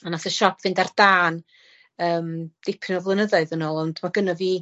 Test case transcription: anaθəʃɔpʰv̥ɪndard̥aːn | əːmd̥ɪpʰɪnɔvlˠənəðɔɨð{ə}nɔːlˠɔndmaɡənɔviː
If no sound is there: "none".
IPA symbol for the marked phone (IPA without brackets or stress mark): ə